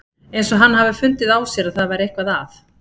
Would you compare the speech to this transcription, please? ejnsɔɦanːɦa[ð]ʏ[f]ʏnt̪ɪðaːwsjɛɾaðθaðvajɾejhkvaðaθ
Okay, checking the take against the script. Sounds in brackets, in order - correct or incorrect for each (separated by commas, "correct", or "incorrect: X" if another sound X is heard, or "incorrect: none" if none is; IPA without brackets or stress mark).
incorrect: v, correct